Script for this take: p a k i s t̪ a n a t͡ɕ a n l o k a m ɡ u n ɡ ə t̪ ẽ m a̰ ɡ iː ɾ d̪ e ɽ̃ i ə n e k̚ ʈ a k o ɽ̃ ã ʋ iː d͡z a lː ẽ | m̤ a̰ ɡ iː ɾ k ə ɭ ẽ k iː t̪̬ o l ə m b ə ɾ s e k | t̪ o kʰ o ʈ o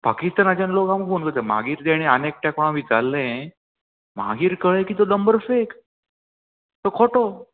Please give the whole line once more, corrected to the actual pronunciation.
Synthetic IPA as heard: p a k i s t̪ a n a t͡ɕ a n l o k a m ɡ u n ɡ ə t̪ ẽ m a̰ ɡ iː ɾ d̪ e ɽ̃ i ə n e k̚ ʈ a k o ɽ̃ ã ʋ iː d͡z a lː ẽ | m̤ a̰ ɡ iː ɾ k ə ɭ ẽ k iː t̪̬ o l ə m b ə ɾ f e k | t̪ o kʰ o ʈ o